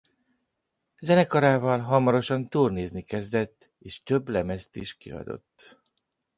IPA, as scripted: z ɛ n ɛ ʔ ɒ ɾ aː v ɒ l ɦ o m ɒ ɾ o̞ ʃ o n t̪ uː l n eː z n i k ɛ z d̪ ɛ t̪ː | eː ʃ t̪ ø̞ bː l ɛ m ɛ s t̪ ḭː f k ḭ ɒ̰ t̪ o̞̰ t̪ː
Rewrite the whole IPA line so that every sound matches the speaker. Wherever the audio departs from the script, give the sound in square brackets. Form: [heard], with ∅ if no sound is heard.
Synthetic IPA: z ɛ n ɛ [k] ɒ ɾ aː v ɒ l ɦ [ɒ] m ɒ ɾ o̞ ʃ [ɒ] n t̪ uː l n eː z n i k ɛ z d̪ ɛ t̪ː | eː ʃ t̪ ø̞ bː l ɛ m ɛ s t̪ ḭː [ʃ] k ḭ ɒ̰ [d̪] o̞̰ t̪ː